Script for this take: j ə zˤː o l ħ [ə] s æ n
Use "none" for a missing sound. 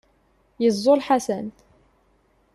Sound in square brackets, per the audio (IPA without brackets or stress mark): a